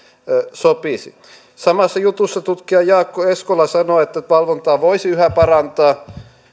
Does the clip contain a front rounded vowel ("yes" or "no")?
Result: yes